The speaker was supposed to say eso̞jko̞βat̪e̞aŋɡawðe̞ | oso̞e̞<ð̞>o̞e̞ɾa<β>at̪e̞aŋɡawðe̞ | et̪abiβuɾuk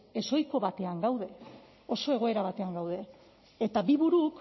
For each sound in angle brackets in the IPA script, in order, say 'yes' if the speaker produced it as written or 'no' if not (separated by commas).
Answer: no, yes